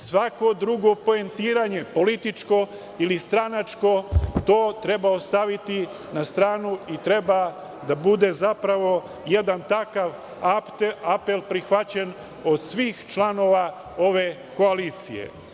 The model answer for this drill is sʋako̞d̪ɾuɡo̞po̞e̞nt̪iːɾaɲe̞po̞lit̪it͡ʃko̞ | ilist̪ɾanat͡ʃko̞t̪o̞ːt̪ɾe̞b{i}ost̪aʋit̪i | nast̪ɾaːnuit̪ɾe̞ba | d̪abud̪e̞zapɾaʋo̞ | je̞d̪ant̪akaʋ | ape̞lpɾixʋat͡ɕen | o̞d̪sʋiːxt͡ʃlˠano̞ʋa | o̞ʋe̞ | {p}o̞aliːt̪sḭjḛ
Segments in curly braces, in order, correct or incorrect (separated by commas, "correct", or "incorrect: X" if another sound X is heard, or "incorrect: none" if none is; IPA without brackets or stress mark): incorrect: a, incorrect: k